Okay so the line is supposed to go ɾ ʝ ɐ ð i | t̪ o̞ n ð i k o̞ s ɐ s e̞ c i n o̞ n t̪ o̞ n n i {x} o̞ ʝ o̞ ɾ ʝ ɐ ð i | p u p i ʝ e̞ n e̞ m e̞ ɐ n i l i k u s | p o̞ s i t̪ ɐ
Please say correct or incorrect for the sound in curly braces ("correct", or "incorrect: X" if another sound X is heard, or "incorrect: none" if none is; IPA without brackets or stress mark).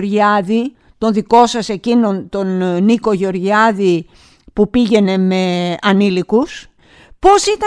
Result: incorrect: k